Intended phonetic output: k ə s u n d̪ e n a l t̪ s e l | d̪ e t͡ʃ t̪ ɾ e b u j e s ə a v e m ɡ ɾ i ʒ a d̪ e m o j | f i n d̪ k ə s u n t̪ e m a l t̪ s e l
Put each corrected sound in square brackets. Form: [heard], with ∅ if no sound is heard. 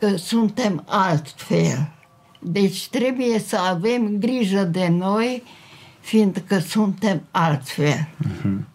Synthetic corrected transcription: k ə s u n [t̪] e [m] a l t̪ [f] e l | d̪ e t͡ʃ t̪ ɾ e b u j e s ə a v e m ɡ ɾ i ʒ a d̪ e [n] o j | f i n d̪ k ə s u n t̪ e m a l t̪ [f] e l